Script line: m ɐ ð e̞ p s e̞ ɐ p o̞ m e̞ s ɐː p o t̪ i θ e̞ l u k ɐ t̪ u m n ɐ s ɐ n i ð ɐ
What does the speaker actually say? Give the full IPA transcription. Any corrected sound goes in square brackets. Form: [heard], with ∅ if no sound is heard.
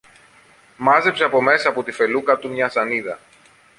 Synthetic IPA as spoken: m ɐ [z] e̞ p s e̞ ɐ p o̞ m e̞ s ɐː p o t̪ i [f] e̞ l u k ɐ t̪ u m [ɲ] ɐ s ɐ n i ð ɐ